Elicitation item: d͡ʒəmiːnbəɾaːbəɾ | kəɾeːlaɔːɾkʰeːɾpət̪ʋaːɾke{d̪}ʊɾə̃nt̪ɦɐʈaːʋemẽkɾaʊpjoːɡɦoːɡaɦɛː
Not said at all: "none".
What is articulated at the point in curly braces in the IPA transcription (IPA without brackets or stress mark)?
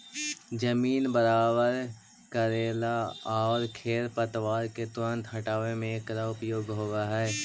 t̪